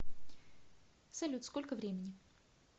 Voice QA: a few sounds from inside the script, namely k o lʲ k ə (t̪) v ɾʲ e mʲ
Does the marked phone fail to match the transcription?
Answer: yes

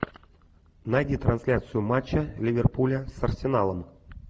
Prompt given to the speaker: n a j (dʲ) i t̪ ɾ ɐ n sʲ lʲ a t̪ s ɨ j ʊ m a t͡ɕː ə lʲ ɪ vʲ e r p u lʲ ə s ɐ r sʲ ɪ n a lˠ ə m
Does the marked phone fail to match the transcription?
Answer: no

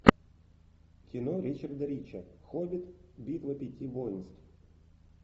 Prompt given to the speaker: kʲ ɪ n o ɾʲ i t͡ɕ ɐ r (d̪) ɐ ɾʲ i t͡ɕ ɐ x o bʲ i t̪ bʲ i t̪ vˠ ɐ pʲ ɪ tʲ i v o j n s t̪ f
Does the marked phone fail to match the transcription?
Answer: no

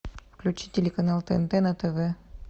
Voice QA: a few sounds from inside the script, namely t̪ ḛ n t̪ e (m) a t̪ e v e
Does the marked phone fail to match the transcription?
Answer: yes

